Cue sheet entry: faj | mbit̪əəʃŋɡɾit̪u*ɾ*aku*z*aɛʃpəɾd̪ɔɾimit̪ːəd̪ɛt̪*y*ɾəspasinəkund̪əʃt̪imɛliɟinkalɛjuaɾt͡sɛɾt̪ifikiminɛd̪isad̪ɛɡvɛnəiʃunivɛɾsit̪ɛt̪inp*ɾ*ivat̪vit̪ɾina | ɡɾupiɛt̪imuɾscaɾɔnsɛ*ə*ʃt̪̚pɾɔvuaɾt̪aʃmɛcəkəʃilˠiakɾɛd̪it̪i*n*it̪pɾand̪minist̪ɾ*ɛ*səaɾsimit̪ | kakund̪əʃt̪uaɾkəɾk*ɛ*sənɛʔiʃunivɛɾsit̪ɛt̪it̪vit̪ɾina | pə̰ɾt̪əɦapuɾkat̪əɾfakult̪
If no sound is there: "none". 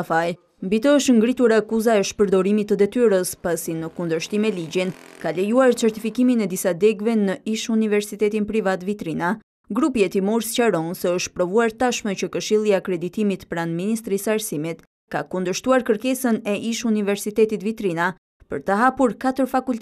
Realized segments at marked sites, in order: ɾ, z, y, ɾ, ə, m, i, ɛ

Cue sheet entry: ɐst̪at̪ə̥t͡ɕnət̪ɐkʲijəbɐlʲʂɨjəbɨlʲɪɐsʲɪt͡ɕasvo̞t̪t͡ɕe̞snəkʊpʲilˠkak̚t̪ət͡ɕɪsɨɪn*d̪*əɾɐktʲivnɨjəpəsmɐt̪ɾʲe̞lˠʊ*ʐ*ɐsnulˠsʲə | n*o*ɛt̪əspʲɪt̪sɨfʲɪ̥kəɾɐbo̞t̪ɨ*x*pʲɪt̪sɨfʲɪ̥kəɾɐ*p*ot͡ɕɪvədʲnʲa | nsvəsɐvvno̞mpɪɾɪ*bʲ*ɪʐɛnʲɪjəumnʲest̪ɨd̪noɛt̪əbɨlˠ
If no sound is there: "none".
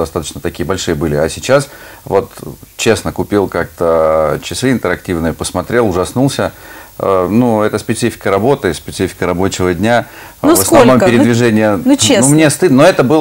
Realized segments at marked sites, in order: t̪, ʐ, u, s, b, vʲ

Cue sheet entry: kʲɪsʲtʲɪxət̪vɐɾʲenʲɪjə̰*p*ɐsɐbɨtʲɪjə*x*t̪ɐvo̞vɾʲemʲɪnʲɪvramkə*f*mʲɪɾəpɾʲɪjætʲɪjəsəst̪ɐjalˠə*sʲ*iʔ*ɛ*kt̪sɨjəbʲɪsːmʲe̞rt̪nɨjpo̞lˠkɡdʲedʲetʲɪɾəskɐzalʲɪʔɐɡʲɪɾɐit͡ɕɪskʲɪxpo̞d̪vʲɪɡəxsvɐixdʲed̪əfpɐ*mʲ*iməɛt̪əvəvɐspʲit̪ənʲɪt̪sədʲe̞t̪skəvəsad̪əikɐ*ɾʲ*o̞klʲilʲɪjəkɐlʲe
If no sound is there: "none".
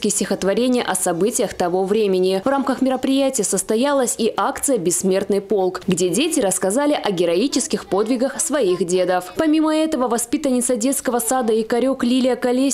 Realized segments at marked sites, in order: ʔ, x, x, sʲ, a, mʲ, ɾʲ

